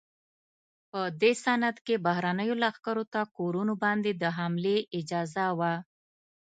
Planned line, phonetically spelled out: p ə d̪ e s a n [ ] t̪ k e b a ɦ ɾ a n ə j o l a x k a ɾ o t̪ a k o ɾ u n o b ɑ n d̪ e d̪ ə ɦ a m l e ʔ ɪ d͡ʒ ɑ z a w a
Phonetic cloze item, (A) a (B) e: A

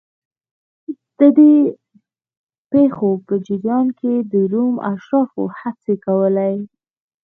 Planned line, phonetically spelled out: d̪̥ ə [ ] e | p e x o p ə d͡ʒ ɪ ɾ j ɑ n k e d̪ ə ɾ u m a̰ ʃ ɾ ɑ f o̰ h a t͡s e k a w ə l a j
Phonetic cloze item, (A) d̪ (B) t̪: A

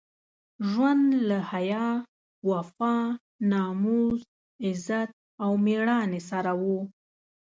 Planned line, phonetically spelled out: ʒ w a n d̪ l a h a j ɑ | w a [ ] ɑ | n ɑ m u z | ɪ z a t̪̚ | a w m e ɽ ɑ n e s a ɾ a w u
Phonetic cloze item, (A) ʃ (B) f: B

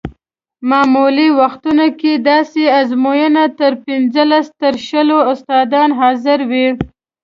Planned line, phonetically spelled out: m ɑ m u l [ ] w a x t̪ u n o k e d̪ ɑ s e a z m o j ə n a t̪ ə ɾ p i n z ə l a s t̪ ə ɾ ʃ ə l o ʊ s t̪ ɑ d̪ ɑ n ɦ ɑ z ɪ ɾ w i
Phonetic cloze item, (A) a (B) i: B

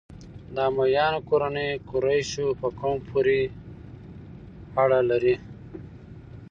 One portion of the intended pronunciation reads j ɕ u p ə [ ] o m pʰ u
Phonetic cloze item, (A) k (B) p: A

